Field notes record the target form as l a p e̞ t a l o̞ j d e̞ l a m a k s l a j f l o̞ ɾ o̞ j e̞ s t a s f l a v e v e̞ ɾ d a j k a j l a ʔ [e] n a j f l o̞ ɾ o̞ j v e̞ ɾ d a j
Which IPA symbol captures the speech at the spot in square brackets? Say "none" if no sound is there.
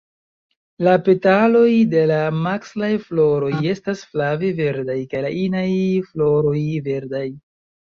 i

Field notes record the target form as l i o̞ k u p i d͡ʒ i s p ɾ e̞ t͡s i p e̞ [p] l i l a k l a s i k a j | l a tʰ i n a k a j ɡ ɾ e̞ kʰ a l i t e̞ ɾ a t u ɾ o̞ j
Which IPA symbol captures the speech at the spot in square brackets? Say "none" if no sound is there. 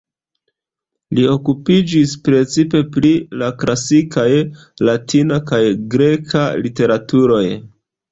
p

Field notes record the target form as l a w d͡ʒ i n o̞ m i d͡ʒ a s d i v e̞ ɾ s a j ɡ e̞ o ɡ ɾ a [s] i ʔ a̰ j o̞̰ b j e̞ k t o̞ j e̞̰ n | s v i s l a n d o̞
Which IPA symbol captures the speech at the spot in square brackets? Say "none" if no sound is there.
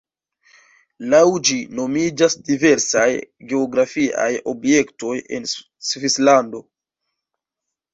f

